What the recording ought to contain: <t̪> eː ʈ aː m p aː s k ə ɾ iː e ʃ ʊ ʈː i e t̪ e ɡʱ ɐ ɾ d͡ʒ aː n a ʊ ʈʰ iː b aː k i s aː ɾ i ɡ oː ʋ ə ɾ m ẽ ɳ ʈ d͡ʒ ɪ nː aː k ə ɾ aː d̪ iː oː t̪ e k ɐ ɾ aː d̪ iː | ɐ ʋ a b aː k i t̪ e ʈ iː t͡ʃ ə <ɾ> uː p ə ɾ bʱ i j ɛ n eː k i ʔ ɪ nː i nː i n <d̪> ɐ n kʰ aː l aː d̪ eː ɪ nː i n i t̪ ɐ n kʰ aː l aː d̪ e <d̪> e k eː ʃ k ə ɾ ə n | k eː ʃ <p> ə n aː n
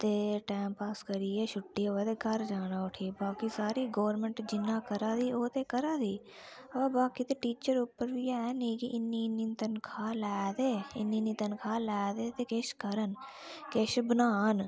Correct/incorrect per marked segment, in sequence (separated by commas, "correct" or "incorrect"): correct, correct, incorrect, incorrect, incorrect